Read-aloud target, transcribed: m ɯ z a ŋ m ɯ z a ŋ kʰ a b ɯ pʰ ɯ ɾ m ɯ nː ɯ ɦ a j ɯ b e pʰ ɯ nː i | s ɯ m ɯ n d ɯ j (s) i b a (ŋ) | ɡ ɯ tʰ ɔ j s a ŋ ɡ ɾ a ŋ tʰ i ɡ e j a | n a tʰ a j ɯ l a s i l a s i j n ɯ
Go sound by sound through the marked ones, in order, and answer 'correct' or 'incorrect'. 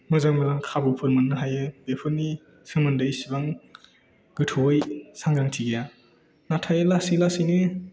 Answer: correct, correct

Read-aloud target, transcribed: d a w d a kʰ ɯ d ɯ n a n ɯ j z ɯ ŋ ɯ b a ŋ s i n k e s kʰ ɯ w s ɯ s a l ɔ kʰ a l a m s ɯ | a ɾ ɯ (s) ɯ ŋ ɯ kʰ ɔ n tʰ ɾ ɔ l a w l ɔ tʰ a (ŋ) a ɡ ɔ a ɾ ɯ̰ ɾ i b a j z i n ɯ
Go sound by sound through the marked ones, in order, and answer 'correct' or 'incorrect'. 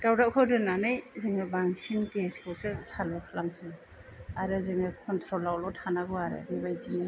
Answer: incorrect: z, incorrect: n

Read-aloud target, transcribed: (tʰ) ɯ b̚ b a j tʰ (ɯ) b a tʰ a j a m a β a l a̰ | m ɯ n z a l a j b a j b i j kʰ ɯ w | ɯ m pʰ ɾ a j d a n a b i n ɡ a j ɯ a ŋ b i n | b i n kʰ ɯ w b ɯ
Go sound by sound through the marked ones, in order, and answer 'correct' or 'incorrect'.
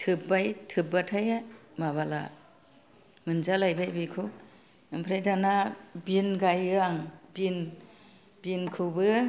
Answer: correct, correct

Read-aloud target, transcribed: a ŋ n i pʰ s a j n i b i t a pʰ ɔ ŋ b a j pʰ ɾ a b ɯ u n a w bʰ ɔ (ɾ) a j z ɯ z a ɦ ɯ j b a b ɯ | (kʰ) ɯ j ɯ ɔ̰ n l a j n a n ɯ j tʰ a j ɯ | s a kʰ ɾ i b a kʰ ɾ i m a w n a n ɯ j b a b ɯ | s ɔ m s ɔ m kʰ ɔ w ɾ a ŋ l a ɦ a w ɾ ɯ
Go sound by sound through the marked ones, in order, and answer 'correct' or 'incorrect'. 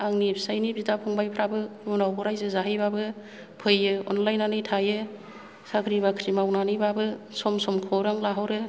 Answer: correct, incorrect: pʰ

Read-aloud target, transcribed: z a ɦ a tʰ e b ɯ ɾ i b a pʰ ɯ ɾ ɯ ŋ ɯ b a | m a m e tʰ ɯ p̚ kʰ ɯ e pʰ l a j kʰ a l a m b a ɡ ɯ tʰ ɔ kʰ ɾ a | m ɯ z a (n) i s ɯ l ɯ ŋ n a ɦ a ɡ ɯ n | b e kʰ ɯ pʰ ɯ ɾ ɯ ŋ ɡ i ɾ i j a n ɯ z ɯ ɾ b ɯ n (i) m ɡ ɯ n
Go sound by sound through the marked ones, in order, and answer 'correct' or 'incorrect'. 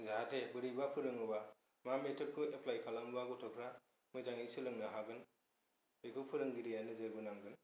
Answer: incorrect: ŋ, incorrect: a

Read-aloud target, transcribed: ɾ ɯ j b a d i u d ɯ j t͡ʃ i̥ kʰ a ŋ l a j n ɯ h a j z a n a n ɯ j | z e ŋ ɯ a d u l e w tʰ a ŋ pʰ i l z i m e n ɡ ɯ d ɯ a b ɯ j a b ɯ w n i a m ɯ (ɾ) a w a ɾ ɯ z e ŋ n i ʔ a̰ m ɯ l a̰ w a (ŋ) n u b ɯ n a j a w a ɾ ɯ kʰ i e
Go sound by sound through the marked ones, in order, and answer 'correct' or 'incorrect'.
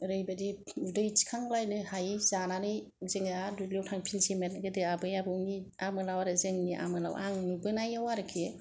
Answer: incorrect: l, correct

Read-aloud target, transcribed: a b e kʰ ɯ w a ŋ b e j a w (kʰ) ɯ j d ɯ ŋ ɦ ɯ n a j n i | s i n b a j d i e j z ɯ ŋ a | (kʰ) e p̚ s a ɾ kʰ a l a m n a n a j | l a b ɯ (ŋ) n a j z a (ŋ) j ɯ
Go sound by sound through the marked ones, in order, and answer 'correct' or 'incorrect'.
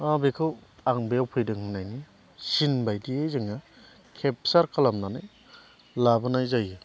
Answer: incorrect: pʰ, correct, incorrect: none, incorrect: none

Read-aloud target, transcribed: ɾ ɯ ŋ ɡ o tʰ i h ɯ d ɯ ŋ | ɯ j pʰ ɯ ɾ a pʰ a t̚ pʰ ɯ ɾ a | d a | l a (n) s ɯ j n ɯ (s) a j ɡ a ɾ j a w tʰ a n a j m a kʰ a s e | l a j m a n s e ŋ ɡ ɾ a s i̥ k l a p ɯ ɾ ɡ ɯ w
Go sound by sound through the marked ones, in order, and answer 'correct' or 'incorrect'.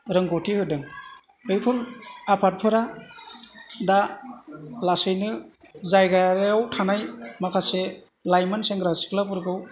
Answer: incorrect: none, incorrect: z

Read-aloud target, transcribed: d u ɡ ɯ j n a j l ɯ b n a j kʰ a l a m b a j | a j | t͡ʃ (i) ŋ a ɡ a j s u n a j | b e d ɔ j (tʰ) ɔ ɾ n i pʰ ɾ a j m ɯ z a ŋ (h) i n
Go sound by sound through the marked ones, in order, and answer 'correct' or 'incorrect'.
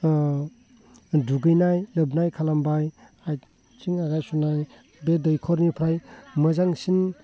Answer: correct, incorrect: kʰ, incorrect: s

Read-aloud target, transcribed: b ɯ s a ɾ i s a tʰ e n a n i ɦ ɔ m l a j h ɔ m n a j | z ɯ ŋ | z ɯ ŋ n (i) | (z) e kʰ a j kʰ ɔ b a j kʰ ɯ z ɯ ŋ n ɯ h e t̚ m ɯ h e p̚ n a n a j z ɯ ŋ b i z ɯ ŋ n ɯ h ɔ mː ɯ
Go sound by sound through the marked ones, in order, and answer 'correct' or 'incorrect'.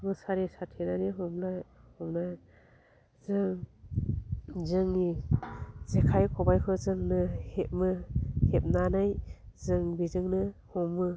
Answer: correct, correct

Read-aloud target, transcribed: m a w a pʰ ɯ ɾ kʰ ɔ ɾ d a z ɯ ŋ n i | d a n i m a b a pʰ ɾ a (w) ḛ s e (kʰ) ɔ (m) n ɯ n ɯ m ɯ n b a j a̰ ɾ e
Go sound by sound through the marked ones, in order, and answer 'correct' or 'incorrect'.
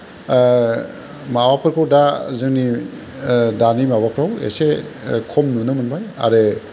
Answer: correct, correct, correct

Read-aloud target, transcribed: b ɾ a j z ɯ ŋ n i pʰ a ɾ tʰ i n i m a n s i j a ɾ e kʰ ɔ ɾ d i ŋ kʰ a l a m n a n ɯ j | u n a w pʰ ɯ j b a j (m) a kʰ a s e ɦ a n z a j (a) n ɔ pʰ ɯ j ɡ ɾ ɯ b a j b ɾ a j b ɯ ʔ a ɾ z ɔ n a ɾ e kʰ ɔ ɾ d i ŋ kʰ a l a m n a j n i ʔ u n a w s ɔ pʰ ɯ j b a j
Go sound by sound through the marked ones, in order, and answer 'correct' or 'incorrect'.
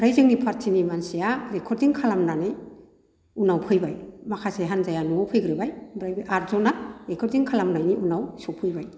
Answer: correct, correct

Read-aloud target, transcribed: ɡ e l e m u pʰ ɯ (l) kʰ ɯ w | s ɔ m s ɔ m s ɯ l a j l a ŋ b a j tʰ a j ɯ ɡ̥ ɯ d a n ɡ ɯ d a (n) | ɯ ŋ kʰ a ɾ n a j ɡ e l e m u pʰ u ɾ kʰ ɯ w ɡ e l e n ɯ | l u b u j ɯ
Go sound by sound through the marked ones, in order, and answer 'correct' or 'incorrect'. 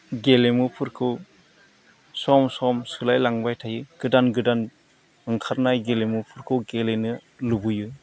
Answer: incorrect: ɾ, correct

